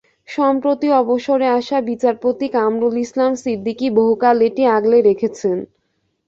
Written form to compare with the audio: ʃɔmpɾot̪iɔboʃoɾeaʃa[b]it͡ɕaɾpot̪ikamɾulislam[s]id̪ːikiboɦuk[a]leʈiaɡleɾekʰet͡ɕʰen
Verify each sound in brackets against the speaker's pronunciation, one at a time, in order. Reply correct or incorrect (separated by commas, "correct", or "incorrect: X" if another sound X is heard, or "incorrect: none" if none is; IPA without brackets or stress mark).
correct, correct, correct